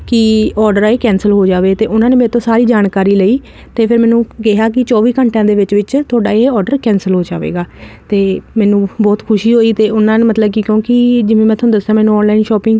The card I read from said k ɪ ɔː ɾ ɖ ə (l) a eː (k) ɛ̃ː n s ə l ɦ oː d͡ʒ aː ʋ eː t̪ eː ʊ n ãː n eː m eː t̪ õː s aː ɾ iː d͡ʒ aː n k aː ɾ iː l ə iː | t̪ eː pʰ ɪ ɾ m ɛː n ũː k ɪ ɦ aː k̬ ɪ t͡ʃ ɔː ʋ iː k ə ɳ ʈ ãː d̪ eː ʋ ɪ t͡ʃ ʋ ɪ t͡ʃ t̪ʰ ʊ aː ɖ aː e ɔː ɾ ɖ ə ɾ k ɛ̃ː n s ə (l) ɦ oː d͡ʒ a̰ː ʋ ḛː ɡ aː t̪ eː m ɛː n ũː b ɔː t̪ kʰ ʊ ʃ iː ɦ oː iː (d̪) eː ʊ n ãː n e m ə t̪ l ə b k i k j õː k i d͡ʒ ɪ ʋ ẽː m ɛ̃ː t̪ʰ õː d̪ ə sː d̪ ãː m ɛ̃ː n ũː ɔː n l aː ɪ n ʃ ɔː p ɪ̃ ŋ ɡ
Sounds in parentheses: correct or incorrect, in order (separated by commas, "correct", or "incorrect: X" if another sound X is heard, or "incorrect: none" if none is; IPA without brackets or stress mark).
incorrect: ɾ, correct, correct, incorrect: t̪